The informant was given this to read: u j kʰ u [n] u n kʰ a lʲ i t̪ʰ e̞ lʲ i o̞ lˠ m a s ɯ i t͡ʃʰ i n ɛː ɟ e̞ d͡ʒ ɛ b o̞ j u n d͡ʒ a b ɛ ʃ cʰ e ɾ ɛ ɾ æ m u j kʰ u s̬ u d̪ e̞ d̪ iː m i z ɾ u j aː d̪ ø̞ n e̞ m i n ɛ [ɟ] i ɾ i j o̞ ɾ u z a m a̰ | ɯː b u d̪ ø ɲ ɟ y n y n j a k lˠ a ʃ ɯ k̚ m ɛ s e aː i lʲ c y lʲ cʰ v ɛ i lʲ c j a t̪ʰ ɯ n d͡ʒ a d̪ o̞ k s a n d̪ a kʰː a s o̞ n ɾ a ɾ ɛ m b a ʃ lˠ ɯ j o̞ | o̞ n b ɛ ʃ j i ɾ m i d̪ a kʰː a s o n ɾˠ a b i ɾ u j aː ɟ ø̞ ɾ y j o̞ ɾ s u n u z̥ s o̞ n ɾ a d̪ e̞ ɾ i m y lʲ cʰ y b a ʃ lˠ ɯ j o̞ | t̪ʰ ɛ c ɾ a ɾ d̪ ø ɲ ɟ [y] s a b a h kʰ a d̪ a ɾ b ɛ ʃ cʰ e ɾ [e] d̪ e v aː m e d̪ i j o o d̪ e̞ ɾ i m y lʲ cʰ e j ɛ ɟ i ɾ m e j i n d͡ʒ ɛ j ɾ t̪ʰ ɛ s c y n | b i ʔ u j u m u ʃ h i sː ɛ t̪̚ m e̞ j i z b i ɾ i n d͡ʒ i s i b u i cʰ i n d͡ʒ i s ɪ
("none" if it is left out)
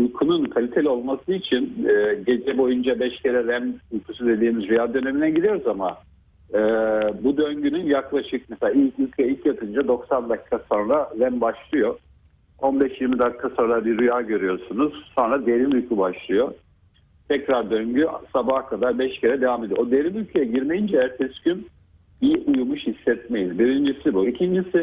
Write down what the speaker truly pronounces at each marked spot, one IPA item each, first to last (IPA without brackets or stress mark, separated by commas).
n, ɟ, y, ɛ